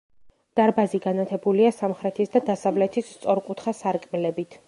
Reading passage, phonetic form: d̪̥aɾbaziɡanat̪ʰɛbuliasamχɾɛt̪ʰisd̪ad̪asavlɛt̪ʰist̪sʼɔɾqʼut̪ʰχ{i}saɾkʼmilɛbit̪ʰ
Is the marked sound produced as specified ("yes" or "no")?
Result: no